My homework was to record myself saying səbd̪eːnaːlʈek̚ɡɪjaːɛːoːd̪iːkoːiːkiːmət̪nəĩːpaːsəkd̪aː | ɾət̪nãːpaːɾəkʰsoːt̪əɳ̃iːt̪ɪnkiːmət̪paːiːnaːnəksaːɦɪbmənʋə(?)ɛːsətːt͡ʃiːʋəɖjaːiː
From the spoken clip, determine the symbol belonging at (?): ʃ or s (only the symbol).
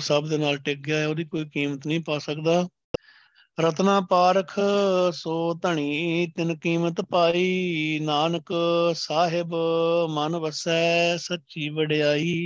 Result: s